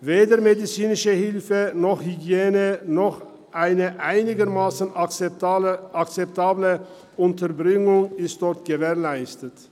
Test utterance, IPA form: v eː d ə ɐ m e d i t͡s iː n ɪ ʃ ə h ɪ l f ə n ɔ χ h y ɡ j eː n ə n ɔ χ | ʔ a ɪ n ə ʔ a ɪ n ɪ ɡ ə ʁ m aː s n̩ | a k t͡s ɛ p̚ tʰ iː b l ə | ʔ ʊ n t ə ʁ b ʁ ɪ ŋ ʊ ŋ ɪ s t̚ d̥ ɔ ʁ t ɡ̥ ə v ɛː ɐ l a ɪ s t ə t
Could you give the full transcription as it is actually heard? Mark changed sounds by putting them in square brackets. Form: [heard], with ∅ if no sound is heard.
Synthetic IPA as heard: v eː d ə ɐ m e d i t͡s iː n ɪ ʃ ə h ɪ l f ə n ɔ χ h y ɡ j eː n ə n ɔ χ | ʔ a ɪ n ə ʔ a ɪ n ɪ ɡ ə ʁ m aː s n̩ | a k t͡s ɛ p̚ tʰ [aː] b l ə | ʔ ʊ n t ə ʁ b ʁ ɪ ŋ ʊ ŋ ɪ s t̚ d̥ ɔ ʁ t ɡ̥ ə v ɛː ɐ l a ɪ s t ə t